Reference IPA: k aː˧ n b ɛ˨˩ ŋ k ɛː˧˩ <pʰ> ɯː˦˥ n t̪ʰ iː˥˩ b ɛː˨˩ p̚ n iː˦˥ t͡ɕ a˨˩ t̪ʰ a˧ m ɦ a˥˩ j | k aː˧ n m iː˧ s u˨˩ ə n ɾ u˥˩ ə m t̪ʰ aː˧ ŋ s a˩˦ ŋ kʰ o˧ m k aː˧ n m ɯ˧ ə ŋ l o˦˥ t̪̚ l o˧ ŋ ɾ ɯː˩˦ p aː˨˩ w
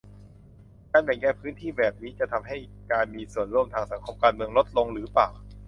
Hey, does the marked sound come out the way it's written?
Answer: yes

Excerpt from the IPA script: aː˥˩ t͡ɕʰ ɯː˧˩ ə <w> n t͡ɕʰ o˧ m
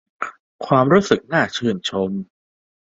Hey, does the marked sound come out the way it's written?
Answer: no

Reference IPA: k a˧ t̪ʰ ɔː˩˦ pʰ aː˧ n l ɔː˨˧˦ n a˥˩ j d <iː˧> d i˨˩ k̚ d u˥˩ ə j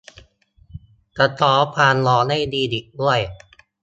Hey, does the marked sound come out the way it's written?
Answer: yes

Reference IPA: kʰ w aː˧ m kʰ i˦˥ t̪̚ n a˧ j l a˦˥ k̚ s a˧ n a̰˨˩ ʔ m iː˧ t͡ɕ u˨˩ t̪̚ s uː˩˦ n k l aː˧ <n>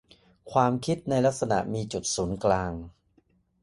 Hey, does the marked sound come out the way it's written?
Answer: no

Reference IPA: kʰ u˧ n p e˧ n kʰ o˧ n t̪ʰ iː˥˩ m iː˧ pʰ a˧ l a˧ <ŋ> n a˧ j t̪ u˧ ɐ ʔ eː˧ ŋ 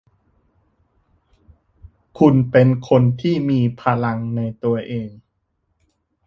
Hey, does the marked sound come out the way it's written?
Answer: yes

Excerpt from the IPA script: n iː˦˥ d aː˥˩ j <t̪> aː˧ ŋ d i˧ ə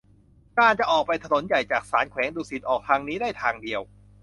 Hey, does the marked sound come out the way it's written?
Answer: no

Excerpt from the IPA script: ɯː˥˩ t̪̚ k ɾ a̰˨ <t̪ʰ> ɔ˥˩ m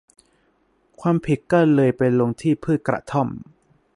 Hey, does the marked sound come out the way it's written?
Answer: yes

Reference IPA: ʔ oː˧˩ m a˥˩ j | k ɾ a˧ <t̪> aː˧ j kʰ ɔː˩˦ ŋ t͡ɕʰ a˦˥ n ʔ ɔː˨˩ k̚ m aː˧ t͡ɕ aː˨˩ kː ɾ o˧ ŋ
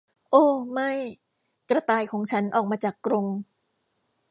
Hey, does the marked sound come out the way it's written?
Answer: yes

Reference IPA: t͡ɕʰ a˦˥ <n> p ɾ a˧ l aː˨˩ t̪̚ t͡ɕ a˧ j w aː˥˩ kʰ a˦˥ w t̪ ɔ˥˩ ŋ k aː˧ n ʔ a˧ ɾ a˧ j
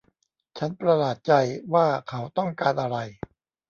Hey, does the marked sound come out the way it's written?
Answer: yes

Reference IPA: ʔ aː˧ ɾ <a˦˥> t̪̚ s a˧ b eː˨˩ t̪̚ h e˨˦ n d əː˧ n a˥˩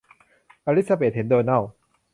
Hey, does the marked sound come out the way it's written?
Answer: no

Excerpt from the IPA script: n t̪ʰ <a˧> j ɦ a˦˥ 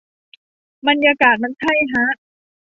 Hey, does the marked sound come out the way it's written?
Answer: no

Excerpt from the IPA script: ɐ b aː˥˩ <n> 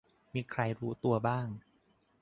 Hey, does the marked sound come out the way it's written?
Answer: no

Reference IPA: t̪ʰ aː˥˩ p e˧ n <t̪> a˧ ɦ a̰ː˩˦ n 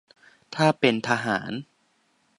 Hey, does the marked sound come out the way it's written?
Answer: no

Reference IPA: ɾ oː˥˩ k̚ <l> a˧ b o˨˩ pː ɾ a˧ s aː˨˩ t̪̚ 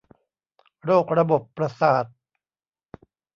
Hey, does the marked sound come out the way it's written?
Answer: no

